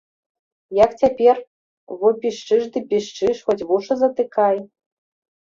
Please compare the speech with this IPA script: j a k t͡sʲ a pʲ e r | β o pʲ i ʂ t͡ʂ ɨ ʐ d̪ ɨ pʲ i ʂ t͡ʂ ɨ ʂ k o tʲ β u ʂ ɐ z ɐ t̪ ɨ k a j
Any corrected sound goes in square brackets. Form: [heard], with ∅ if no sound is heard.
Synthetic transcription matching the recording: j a k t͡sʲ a pʲ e r | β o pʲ i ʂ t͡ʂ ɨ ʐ d̪ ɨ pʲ i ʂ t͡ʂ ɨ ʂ [x] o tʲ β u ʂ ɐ z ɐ t̪ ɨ k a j